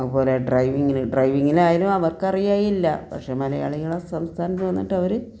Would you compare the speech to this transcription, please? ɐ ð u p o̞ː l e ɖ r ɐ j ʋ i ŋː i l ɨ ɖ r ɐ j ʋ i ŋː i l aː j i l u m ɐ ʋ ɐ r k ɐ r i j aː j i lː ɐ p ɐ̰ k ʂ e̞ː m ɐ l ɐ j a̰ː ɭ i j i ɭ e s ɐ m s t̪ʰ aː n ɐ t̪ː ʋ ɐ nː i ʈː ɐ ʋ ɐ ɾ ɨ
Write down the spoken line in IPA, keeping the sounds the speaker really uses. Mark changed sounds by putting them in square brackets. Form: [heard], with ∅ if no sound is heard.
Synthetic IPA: ɐ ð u p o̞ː l e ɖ r ɐ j ʋ i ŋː i l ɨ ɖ r ɐ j ʋ i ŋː i l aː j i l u m ɐ ʋ ɐ r k ɐ r i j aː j i lː ɐ p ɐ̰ k ʂ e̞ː m ɐ l ɐ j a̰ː ɭ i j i ɭ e s ɐ m s t̪ʰ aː n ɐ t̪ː ʋ ɐ nː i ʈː ɐ ʋ ɐ ɾ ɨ